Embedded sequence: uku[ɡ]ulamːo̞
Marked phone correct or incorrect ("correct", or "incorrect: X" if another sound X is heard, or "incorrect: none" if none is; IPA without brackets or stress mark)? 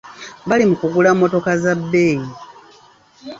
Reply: correct